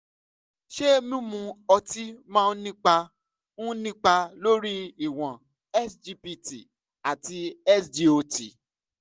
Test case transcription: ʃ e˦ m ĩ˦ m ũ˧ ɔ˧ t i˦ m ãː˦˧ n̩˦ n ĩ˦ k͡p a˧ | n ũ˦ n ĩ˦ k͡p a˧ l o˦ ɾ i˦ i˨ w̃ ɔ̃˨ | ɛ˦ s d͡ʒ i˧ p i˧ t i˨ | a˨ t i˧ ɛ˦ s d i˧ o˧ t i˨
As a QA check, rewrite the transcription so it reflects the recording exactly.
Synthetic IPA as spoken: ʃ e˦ m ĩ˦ m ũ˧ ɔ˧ t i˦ m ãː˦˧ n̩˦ n ĩ˦ k͡p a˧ | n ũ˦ n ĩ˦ k͡p a˧ l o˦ ɾ i˦ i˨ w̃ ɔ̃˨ | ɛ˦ s d͡ʒ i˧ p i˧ t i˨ | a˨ t i˧ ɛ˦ s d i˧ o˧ t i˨